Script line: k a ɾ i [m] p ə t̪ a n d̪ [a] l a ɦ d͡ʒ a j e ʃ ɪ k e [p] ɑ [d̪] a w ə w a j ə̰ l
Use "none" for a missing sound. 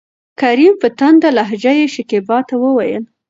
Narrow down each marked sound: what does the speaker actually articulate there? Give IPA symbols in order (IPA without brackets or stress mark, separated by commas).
m, a, b, t̪